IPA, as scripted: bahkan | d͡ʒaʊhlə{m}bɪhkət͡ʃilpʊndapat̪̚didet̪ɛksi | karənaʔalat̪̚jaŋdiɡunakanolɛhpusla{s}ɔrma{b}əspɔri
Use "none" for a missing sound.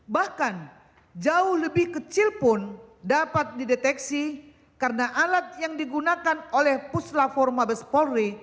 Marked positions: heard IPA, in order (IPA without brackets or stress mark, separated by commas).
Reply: none, f, b